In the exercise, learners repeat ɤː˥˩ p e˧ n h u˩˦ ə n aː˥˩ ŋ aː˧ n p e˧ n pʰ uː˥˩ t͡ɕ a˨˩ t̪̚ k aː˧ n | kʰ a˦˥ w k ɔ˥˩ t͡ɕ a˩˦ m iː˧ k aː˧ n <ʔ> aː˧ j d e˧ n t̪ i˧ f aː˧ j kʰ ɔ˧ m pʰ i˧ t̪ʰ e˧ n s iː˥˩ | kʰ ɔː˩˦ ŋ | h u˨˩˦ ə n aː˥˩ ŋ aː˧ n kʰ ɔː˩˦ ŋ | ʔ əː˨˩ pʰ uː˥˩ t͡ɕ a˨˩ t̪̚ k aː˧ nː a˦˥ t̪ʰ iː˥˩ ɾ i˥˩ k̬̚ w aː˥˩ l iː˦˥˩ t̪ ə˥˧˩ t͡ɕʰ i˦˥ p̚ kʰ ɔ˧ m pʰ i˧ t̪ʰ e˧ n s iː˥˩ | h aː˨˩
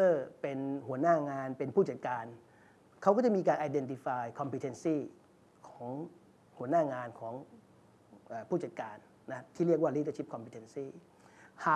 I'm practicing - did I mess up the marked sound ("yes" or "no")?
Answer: no